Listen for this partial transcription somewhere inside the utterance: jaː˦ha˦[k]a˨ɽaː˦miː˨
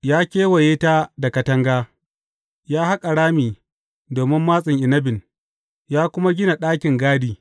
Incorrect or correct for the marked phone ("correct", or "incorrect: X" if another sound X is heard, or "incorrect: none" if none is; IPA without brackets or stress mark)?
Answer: incorrect: kʼ